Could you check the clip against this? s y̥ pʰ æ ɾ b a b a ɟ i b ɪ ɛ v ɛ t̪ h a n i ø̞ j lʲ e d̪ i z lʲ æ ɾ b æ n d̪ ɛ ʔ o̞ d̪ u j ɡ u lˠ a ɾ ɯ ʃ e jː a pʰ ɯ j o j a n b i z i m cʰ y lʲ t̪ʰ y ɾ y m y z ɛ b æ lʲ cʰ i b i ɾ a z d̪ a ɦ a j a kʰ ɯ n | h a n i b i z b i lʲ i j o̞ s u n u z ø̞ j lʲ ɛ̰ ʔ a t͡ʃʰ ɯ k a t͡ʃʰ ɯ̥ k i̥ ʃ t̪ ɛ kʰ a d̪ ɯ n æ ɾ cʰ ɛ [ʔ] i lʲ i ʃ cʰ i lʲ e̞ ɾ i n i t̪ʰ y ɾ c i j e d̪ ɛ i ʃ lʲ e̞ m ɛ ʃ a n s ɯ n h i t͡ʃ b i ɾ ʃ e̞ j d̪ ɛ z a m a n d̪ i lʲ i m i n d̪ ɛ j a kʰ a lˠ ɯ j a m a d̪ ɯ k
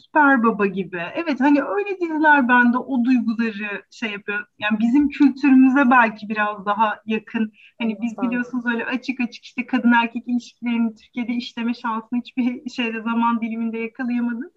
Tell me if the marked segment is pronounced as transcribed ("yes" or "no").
no